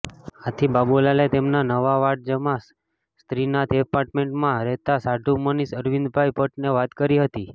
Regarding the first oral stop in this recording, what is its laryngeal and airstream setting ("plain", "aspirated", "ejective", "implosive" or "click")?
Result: aspirated